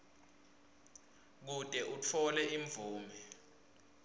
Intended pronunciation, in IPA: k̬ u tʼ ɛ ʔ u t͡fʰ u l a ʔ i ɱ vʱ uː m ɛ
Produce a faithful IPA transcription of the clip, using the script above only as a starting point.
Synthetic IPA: k̬ u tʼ ɛ ʔ u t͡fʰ ɔ l ɛ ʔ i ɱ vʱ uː m ɛ

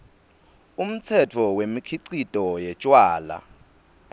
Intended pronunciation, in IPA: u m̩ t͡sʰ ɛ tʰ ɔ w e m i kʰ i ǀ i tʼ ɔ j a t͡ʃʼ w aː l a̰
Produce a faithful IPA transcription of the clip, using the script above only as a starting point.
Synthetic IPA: u m̩ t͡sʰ ɛ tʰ ɔ w e m i kʰ i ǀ i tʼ ɔ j ɛ t͡ʃʼ w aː l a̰

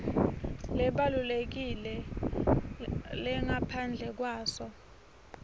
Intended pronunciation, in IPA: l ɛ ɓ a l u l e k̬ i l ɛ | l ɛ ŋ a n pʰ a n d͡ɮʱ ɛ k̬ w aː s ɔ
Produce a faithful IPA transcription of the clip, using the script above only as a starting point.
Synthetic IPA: l ɛ ɓ a l u l e k̬ i l ɛ | l ɛ ŋ a pʰ a n d͡ɮʱ ɛ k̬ w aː s ɔ

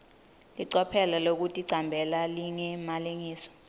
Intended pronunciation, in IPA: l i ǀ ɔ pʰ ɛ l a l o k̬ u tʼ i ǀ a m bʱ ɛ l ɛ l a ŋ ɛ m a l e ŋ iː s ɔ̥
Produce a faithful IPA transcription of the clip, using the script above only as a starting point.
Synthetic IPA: l i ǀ ɔ pʰ ɛ l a l o k̬ u tʼ i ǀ a m bʱ ɛ l a l i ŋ ɛ m a l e ŋ iː s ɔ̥

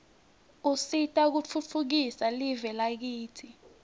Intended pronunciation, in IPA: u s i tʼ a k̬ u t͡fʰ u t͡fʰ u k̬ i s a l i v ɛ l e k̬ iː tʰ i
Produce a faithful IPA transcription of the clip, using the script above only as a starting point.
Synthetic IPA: u s i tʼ a k̬ u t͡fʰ u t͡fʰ u k̬ i s a l i v ɛ l a k̬ iː tʰ i

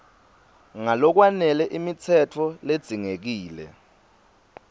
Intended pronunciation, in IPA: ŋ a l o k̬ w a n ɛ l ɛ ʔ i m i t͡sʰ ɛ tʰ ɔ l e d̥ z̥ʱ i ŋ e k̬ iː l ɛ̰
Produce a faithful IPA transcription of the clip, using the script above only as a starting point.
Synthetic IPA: ŋ a l ɔ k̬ w a n ɛ l ɛ ʔ i m i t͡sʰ ɛ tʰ ɔ l e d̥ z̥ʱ i ŋ e k̬ iː l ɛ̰

